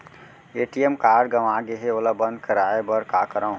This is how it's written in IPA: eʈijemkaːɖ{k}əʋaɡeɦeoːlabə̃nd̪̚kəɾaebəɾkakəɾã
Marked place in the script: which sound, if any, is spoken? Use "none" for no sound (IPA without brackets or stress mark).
ɡ